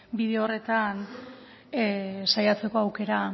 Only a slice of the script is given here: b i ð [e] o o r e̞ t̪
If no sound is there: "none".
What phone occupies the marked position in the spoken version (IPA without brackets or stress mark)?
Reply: e